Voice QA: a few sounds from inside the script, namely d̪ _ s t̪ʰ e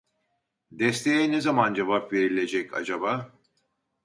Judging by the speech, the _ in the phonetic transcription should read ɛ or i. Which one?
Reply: ɛ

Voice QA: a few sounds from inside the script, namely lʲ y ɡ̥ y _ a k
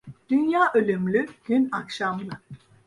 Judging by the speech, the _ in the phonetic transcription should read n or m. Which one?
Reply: n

